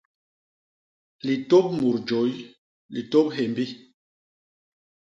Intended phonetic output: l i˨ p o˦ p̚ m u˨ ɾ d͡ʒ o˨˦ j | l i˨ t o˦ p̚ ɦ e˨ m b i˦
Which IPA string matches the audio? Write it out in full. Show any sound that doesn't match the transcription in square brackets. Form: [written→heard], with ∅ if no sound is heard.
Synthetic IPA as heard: l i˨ [p→t] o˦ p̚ m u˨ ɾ d͡ʒ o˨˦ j | l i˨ t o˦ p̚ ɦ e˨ m b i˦